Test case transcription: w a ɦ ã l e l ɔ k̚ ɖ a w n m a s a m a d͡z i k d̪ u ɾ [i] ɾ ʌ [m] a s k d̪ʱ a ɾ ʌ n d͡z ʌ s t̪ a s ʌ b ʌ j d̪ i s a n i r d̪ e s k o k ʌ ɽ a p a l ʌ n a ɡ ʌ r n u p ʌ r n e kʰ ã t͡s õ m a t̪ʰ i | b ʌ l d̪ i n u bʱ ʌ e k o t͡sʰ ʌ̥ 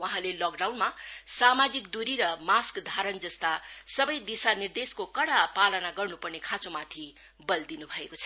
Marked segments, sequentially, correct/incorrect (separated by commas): correct, correct